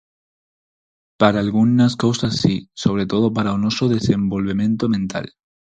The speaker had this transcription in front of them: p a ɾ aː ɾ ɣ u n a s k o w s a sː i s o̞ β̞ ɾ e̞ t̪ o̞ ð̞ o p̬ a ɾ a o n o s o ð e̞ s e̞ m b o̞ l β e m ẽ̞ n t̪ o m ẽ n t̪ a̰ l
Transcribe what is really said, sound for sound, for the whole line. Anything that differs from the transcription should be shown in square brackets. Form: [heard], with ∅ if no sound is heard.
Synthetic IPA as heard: p a ɾ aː [l] ɣ u n a s k o w s a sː i s o̞ β̞ ɾ e̞ t̪ o̞ ð̞ o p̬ a ɾ a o n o s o ð e̞ s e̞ m b o̞ l β e m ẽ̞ n t̪ o m ẽ n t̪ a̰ l